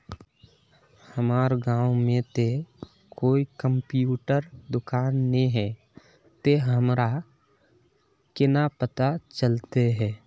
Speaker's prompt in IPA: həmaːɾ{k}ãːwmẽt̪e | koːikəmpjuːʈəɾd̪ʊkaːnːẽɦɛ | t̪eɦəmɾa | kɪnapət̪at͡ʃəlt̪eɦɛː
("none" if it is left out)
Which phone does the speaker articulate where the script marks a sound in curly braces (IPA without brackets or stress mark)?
ɡ